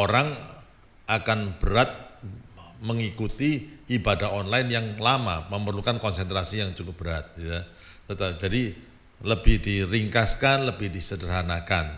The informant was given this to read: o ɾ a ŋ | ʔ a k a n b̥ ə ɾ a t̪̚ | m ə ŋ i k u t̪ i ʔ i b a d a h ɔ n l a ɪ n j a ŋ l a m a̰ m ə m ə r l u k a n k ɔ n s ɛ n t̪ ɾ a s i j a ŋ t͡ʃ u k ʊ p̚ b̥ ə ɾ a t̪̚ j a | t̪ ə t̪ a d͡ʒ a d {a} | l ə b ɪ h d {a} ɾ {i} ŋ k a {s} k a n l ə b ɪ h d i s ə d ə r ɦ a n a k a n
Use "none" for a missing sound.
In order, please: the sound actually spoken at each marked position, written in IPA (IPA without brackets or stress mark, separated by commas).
i, i, i, s